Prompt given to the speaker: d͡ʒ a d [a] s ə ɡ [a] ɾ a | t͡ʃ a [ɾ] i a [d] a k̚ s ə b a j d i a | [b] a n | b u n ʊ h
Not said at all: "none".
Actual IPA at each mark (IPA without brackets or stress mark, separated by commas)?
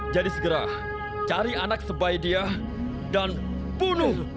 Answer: i, ə, ɾ, n, d